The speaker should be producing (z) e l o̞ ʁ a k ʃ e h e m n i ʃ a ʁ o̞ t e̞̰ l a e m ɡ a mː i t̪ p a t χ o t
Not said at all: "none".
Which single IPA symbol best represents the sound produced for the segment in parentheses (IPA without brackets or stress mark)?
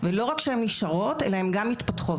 v